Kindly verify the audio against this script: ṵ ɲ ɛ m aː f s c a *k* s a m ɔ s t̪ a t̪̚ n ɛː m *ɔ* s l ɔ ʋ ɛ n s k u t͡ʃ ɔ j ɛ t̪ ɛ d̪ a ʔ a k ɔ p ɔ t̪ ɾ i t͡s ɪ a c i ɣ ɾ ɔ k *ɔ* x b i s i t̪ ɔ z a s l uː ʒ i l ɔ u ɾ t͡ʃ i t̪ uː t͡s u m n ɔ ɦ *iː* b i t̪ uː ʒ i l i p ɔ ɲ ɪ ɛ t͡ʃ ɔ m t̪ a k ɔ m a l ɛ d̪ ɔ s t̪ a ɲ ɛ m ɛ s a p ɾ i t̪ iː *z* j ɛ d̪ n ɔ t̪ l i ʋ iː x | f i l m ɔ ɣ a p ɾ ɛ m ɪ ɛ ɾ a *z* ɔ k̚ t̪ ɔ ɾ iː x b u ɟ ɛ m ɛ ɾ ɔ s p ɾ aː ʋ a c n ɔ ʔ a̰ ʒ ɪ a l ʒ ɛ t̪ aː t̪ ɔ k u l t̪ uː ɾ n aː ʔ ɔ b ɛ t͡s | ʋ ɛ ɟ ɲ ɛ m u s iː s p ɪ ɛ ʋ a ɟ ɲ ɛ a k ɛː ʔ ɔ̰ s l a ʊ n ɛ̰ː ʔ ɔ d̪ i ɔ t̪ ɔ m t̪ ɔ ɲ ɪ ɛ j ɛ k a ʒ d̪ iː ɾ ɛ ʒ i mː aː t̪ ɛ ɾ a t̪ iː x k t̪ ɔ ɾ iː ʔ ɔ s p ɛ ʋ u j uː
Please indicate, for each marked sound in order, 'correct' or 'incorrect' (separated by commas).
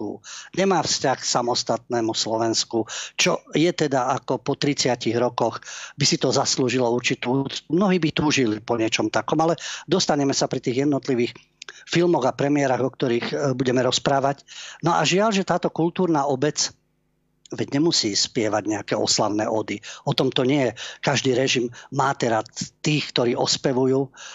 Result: incorrect, incorrect, correct, correct, incorrect, incorrect